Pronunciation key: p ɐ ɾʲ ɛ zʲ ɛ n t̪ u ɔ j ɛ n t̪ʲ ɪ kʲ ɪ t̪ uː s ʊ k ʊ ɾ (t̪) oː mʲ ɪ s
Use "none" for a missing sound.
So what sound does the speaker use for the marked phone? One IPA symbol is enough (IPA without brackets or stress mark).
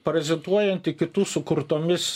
t̪